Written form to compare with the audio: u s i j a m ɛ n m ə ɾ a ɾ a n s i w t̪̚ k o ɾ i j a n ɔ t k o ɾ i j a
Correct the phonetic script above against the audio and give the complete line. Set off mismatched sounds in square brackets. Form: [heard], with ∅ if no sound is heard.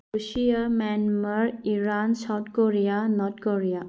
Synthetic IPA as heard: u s i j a m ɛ n m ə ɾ [i] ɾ a n s [a] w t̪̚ k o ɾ i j a n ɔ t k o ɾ i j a